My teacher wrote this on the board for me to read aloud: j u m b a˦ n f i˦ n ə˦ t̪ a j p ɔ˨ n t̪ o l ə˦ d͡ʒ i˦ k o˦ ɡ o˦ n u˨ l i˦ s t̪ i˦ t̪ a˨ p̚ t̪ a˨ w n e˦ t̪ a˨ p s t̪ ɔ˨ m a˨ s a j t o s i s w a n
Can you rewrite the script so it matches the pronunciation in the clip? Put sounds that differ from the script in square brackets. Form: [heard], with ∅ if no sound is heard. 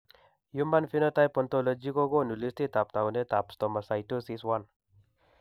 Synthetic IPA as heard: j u m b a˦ n f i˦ n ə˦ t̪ a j p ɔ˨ n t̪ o l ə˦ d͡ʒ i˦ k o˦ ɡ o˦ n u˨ l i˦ s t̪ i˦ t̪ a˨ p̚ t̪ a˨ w n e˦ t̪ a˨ p s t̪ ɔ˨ m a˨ s a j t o s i s w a n